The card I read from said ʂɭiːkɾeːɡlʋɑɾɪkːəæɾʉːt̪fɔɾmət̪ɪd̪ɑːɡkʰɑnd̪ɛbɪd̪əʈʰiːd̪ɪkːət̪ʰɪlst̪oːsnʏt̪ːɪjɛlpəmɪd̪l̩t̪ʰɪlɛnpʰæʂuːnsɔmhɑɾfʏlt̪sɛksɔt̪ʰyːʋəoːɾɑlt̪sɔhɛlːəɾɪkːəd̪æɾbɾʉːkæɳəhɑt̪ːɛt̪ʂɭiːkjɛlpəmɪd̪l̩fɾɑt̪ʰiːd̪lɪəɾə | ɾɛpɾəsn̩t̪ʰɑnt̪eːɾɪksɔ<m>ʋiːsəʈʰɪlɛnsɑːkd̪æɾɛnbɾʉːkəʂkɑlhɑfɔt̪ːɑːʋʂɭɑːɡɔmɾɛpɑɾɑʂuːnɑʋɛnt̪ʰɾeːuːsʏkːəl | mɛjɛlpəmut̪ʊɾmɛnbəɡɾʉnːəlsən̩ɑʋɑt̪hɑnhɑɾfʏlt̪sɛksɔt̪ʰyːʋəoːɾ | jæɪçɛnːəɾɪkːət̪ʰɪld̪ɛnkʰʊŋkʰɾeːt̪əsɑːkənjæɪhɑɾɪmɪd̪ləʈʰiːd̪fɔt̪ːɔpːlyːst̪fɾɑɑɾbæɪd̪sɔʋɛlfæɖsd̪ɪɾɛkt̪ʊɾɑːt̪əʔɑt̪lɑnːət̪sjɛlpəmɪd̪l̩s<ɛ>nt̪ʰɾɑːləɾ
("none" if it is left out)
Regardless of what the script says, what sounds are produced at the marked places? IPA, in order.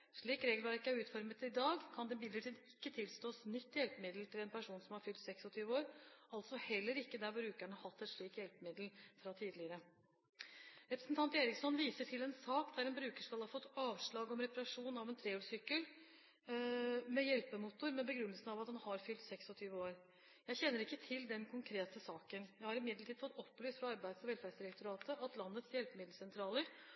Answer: n, ɛ

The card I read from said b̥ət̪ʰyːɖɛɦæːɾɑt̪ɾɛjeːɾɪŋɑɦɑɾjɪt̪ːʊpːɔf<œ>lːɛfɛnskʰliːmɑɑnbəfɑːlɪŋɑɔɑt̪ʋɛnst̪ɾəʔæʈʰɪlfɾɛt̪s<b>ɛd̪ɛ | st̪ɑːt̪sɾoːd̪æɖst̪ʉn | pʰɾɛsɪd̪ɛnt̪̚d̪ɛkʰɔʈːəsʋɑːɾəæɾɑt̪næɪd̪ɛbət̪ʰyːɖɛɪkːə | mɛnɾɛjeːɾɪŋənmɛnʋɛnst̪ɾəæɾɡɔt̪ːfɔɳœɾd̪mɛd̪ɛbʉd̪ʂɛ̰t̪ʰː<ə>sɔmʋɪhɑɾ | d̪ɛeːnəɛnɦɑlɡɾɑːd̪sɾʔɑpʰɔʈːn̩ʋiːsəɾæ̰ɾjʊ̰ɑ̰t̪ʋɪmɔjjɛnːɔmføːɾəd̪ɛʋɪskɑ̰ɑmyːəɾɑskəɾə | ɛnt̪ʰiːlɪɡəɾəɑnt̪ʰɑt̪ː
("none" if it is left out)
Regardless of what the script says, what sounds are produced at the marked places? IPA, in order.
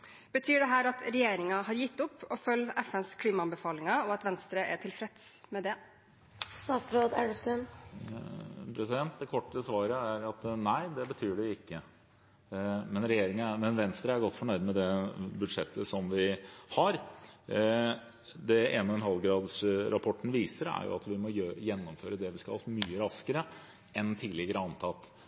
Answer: œ, m, ə

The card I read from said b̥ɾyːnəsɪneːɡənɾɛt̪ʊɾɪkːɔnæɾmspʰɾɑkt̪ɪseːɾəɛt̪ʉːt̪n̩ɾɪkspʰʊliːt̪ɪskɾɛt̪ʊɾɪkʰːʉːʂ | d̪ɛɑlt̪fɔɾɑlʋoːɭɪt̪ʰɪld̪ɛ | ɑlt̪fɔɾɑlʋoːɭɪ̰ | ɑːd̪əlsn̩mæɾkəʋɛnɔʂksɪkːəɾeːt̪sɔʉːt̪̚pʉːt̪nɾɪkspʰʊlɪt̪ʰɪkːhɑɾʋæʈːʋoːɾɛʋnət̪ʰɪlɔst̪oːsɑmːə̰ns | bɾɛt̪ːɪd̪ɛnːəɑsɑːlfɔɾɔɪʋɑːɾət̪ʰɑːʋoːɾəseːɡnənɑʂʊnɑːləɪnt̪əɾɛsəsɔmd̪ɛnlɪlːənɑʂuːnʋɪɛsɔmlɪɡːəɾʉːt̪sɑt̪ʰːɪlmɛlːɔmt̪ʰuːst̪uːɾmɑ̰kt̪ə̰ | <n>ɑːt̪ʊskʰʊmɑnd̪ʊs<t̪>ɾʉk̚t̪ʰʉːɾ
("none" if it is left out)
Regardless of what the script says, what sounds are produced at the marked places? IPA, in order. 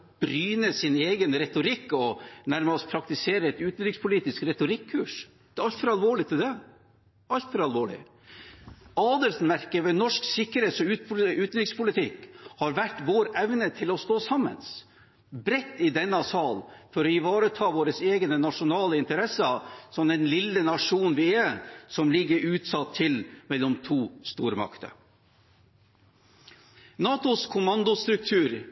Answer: n, t̪

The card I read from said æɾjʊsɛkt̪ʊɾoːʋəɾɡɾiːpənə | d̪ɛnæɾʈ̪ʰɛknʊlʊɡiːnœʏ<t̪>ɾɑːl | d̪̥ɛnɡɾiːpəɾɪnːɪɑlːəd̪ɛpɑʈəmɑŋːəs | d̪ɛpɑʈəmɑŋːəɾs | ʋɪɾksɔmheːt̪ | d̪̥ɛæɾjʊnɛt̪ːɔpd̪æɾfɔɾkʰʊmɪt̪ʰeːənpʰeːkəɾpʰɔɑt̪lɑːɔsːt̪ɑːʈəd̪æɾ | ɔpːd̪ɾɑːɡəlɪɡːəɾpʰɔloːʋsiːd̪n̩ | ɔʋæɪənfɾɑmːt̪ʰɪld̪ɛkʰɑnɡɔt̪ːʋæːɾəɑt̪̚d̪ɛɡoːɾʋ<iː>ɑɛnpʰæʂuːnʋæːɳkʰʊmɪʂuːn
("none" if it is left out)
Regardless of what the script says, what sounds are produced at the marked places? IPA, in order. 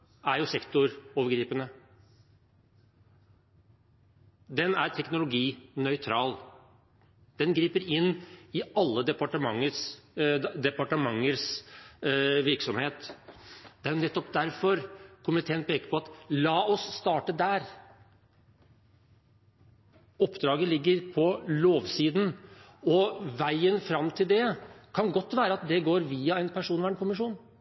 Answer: t̪ʰ, iː

